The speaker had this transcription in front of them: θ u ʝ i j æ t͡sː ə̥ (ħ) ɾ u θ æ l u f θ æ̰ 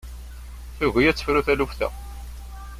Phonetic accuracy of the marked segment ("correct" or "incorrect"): incorrect